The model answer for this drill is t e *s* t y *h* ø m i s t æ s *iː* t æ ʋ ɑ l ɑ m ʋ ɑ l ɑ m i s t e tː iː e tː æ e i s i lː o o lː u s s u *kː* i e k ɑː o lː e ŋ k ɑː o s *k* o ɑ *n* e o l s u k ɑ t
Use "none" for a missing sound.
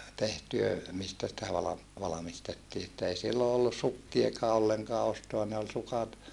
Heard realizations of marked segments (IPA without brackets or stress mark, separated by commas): h, none, i, kː, t, n